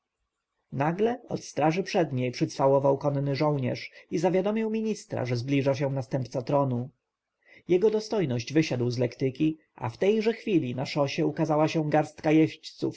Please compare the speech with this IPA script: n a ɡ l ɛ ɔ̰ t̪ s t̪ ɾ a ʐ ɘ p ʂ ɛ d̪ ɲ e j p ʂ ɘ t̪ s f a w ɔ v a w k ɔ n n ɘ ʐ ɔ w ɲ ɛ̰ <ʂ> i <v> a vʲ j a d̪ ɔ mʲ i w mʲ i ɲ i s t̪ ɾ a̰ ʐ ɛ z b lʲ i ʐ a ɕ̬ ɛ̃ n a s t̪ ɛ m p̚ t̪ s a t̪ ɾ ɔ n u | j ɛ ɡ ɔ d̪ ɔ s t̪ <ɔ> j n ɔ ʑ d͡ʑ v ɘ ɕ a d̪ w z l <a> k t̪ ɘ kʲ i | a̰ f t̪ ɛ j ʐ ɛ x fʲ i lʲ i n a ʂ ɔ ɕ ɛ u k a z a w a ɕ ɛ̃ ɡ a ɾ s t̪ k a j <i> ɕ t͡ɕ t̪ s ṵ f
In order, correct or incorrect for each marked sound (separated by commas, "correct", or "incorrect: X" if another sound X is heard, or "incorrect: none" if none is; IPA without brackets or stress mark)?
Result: correct, incorrect: z, correct, incorrect: ɛ, incorrect: ɛ